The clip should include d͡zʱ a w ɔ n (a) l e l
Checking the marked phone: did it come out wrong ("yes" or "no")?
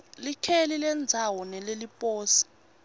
yes